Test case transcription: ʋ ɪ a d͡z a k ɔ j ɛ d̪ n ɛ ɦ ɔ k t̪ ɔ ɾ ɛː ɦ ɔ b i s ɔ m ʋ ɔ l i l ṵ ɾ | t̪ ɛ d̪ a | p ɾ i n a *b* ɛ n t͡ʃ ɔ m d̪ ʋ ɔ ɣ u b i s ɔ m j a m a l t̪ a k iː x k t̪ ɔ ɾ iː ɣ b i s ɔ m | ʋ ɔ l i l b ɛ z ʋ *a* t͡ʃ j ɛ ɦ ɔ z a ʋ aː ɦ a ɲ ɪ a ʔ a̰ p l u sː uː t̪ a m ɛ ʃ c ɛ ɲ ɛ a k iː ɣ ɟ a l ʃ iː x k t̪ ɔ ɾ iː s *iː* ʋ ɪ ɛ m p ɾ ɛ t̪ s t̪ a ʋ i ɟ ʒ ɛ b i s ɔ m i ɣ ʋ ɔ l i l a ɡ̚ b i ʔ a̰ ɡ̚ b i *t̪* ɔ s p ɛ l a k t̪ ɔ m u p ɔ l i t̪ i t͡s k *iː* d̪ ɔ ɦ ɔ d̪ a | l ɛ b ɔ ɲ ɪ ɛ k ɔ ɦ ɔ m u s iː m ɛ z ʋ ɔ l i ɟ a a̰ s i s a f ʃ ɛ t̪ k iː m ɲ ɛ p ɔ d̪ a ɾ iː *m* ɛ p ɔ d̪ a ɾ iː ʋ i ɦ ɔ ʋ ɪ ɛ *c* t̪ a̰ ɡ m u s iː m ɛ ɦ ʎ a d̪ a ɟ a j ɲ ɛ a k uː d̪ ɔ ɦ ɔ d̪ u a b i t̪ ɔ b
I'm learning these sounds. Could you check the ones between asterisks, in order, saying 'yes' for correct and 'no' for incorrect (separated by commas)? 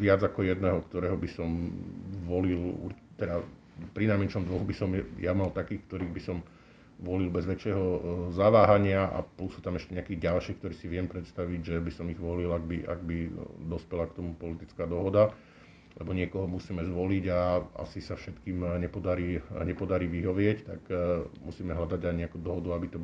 no, no, no, no, no, no, yes